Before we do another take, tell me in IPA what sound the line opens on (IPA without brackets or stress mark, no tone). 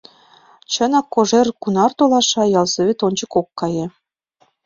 t͡ɕ